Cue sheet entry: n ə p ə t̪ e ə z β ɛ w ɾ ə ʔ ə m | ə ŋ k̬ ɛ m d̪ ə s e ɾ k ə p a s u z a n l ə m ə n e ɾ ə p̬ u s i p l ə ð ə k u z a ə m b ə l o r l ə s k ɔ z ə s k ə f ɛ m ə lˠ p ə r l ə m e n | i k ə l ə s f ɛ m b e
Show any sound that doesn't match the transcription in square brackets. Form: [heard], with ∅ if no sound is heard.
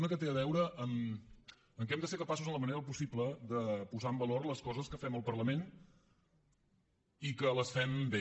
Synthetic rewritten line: n ə [k] ə t̪ e ə [∅] β ɛ w ɾ ə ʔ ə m | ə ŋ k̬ ɛ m d̪ ə s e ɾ k ə p a s u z [ə] n l ə m ə n e ɾ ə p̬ u s i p l ə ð ə [p] u z a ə m b ə l o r l ə s k ɔ z ə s k ə f ɛ m ə lˠ p ə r l ə m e n | i k ə l ə s f ɛ m b e